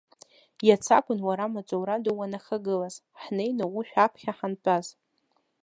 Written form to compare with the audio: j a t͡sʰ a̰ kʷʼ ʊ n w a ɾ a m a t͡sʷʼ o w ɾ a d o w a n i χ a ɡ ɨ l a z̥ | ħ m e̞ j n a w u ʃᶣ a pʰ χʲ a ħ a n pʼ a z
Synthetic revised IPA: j a t͡sʰ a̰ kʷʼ ʊ n w a ɾ a m a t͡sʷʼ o w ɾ a d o w a n a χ a ɡ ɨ l a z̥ | ħ n e̞ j n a w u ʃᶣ a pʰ χʲ a ħ a n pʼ a z